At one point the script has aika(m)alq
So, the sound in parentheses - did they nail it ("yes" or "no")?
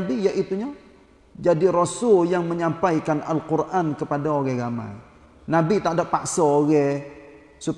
no